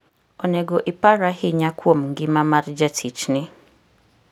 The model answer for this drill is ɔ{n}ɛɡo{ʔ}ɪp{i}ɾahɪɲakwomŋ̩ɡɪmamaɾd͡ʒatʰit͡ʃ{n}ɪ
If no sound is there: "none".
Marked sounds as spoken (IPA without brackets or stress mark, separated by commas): n, ʔ, a, n